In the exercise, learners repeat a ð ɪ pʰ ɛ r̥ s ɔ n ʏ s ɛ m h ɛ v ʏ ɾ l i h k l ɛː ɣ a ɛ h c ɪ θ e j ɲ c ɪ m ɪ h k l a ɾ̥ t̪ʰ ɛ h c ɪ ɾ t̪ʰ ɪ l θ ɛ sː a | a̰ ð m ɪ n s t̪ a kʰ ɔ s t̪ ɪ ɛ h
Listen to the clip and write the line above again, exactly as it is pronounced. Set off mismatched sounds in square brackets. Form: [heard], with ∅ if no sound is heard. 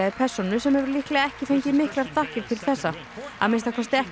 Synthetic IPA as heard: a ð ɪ pʰ ɛ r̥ s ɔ n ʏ s ɛ m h ɛ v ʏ ɾ l i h k l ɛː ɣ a ɛ h c ɪ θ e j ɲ c ɪ m ɪ h k l a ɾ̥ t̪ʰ [a] h c ɪ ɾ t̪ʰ ɪ l θ ɛ sː a | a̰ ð m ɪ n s t̪ a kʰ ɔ s t̪ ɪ ɛ h